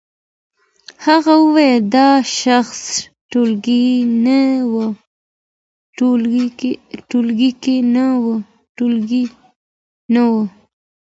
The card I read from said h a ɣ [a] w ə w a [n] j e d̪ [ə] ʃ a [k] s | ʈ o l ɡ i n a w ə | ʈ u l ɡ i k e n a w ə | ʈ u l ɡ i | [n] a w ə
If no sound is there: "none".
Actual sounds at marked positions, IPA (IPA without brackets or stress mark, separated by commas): a, none, ɑ, x, n